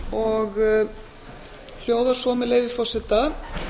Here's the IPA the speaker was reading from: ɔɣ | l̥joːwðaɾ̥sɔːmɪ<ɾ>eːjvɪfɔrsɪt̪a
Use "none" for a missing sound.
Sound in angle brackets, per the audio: l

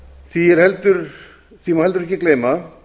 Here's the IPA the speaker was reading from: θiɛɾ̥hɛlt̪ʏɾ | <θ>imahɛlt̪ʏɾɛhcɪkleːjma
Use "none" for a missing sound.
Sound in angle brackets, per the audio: θ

